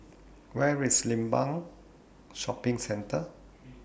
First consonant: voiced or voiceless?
voiced